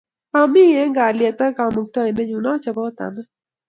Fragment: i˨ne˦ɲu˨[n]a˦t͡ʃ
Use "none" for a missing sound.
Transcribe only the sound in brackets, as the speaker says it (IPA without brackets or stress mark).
n